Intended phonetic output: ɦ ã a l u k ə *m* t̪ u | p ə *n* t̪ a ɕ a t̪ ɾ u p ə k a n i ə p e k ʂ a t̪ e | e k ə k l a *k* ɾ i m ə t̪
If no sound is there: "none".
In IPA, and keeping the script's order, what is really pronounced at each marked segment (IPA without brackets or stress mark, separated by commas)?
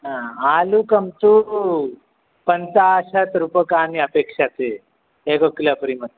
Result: m, n, p